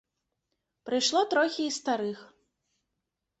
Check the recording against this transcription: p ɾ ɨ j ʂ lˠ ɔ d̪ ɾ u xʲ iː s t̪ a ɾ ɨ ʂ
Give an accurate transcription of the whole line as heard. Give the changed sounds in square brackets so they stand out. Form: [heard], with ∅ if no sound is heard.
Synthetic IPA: p ɾ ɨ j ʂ lˠ ɔ [t̪] ɾ [ɔ] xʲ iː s t̪ a ɾ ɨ [x]